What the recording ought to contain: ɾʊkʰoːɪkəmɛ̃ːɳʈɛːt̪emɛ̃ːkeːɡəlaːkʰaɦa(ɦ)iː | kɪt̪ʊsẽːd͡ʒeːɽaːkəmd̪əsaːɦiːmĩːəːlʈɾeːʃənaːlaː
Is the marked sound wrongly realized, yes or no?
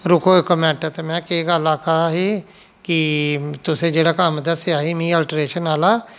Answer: no